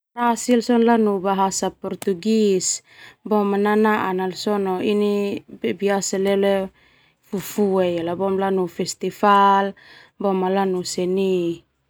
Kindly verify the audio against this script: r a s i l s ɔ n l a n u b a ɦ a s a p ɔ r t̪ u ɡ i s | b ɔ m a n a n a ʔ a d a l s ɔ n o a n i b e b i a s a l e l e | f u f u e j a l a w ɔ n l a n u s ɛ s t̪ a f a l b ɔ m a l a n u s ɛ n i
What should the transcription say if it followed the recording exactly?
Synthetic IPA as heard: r a s i l s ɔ n l a n u b a ɦ a s a p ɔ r t̪ u ɡ i s | b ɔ m a n a n a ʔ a n a l s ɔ n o i n i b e b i a s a l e l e | f u f u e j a l a b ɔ m l a n u f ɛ s t̪ i f a l b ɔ m a l a n u s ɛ n i